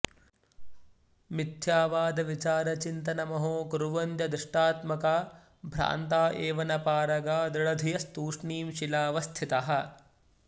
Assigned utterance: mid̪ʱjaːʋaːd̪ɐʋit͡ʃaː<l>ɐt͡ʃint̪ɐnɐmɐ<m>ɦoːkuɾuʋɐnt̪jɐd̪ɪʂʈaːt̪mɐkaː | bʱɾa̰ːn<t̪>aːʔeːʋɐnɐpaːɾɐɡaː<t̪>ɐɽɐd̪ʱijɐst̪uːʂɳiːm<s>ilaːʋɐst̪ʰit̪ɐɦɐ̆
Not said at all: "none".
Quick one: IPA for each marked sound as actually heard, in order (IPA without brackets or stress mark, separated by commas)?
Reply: ɾ, none, t̪, d̪, ʃ